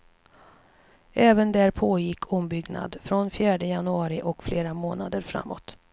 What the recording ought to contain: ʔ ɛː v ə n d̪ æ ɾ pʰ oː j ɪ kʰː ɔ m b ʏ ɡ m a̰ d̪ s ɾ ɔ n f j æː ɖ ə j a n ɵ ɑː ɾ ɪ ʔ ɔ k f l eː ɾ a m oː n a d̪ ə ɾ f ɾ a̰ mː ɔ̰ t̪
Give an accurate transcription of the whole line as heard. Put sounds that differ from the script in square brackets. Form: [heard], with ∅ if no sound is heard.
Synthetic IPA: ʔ ɛː v ə n d̪ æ ɾ pʰ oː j ɪ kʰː ɔ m b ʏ ɡ [n] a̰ d̪ [f] ɾ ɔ n f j æː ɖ ə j a n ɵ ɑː ɾ ɪ ʔ ɔ k f l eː ɾ a m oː n a d̪ ə ɾ f ɾ a̰ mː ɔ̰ t̪